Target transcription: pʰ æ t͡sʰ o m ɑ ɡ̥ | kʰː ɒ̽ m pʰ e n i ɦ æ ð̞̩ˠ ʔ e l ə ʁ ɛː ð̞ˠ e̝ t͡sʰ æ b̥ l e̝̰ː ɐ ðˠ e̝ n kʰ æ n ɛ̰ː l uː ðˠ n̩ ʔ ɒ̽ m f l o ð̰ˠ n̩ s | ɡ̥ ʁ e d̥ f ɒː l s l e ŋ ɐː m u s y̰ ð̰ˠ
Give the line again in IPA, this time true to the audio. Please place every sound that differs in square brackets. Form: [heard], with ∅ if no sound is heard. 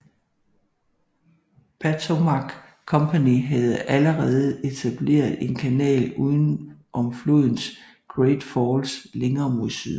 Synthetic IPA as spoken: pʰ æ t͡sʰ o m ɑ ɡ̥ | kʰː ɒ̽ m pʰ [æ] n i ɦ æ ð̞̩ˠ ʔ [æ] l ə ʁ ɛː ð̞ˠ e̝ t͡sʰ æ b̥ l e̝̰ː ɐ ðˠ e̝ n kʰ æ n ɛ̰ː l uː ðˠ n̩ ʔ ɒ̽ m f l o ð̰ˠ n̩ s | ɡ̥ ʁ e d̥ f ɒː l s l e ŋ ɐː m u s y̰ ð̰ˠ